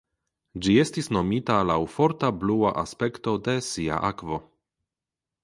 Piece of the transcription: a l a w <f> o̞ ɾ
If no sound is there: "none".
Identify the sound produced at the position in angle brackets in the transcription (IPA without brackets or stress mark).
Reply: f